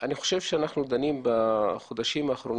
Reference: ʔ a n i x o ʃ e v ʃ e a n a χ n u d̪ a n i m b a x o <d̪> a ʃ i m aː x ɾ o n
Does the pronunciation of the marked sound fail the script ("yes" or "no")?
no